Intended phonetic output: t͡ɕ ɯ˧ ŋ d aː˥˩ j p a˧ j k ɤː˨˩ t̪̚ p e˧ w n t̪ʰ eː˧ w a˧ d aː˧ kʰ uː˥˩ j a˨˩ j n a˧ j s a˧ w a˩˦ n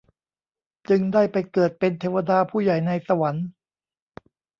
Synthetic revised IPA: t͡ɕ ɯ˧ ŋ d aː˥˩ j p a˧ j k ɤː˨˩ t̪̚ p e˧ n t̪ʰ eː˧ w a˧ d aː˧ pʰ uː˥˩ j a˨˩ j n a˧ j s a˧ w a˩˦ n